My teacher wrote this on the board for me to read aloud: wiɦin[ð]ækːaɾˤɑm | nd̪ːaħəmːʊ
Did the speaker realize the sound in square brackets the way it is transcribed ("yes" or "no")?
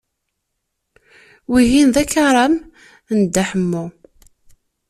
yes